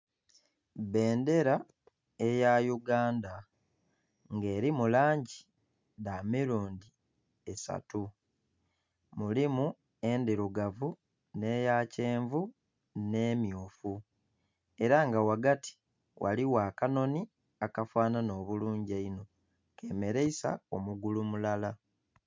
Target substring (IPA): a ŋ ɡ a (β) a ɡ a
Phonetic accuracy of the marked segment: incorrect: w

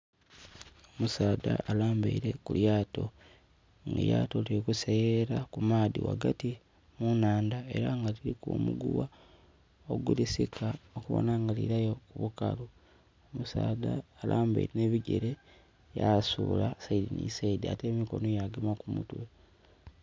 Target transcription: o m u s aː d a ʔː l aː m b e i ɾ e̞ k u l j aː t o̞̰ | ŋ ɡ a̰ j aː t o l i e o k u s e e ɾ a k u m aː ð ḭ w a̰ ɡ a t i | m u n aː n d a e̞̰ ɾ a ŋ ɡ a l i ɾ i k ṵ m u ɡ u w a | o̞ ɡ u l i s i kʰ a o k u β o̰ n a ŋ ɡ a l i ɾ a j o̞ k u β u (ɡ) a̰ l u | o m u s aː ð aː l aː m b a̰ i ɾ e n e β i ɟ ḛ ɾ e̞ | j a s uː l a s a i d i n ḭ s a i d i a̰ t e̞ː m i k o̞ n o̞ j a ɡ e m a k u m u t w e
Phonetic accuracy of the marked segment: incorrect: k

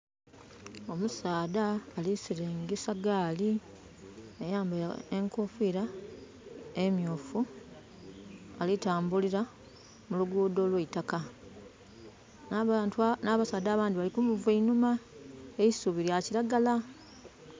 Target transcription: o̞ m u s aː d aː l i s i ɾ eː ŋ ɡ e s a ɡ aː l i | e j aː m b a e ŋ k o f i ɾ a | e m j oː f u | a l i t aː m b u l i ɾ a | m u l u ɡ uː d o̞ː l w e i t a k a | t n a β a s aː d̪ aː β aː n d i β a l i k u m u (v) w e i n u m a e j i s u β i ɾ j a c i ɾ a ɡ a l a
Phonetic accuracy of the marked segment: correct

